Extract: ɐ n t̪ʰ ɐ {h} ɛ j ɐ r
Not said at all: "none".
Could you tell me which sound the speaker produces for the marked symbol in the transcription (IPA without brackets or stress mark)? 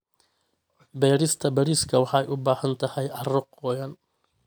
h